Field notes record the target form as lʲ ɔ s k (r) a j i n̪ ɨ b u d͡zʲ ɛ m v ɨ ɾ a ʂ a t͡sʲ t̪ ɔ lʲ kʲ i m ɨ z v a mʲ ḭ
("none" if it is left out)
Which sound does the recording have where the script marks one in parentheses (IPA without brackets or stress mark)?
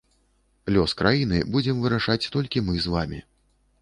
ɾ